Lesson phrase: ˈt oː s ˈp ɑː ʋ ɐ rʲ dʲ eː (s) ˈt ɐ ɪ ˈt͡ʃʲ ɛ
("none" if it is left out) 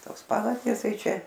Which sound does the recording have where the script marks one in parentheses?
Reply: s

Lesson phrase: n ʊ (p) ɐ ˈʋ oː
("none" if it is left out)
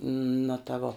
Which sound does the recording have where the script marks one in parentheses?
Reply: t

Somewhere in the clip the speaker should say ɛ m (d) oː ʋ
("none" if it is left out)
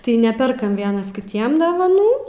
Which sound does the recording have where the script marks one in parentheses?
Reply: d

